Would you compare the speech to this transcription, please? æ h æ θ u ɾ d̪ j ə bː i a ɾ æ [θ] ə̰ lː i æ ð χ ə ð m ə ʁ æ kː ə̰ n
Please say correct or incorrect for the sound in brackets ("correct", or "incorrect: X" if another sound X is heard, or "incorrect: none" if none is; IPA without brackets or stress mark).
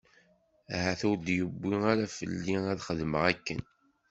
incorrect: f